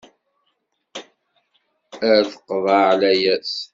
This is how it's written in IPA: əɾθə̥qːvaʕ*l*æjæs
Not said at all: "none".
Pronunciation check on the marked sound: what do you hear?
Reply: l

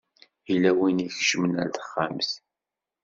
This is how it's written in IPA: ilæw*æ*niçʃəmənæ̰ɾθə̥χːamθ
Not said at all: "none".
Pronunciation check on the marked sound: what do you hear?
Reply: i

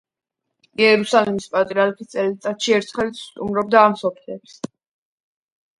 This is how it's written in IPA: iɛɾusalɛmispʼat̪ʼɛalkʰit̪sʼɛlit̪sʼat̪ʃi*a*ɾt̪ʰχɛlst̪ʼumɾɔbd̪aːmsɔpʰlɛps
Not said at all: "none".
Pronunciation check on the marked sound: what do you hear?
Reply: ɛ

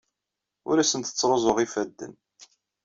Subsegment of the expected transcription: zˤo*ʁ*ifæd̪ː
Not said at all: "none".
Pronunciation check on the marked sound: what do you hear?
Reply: ʁ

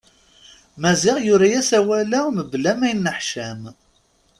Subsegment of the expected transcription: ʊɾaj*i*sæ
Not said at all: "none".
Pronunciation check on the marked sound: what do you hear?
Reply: æ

